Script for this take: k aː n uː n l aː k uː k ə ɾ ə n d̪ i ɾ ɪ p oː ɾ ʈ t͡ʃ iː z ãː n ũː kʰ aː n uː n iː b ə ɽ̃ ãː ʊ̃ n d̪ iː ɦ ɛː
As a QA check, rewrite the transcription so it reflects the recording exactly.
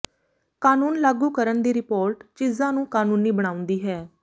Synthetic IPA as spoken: k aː n uː n l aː ɡ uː k ə ɾ ə n d̪ iː ɾ ɪ p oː ɾ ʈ t͡ʃ iː z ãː n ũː k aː n uː n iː b ə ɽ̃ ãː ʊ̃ n d̪ iː ɦ ɛː